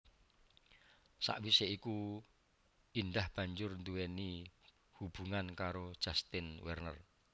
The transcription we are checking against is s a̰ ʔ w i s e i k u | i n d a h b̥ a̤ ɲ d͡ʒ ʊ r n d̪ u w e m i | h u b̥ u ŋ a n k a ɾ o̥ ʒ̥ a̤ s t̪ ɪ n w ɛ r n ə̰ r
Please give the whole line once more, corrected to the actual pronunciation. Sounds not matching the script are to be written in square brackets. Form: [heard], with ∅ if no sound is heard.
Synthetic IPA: s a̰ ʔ w i s e i k u | i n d a h b̥ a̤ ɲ d͡ʒ ʊ r n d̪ u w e [n] i | h u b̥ u ŋ a n k a ɾ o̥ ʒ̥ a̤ s t̪ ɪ n w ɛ r n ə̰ r